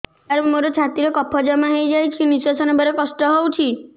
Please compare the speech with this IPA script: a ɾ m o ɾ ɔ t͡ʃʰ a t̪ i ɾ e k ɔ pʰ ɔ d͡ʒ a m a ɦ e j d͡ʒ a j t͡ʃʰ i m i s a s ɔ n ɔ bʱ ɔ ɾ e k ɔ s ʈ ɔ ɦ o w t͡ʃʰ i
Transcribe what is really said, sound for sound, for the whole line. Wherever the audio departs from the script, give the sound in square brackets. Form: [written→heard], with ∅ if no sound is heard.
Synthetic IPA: a ɾ m o ɾ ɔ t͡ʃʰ a t̪ i ɾ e k ɔ pʰ ɔ d͡ʒ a m a ɦ e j d͡ʒ a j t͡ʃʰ i [m→n] i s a s ɔ n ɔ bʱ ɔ ɾ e k ɔ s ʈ ɔ ɦ o w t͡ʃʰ i